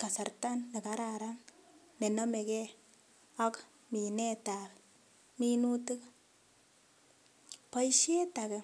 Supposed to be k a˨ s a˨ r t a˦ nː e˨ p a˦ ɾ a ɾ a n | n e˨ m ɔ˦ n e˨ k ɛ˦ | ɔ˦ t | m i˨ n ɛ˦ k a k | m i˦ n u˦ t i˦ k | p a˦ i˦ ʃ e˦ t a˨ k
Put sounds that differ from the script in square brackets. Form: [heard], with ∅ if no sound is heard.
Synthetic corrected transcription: k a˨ s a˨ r t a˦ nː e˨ [k] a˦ ɾ a ɾ a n | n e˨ [n] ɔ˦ [m] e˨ k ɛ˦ | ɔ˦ [k] | m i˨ n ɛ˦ [t] a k | m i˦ n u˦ t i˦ k | p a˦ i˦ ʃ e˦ t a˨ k